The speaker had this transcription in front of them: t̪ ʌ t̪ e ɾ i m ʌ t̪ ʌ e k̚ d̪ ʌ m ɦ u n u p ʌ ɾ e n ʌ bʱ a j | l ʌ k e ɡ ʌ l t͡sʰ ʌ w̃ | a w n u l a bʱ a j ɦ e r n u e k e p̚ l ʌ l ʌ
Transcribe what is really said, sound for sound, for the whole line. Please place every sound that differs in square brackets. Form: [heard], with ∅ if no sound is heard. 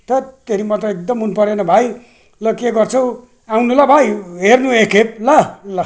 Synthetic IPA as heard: t̪ ʌ t̪ e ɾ i m ʌ t̪ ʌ e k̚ d̪ ʌ m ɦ u n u p ʌ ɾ e n ʌ bʱ a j | l ʌ k e ɡ ʌ [r] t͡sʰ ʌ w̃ | a w n u l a bʱ a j ɦ e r n u e k e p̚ l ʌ l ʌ